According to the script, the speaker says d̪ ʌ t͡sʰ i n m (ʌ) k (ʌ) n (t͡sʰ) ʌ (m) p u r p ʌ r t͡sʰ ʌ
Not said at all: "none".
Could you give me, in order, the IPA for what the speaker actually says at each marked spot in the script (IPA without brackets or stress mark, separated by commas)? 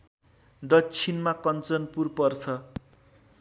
a, ʌ, t͡s, n